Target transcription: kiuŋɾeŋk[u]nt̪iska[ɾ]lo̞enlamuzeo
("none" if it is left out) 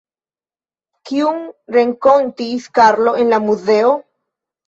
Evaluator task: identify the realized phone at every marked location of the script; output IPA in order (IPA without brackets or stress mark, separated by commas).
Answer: o, ɾ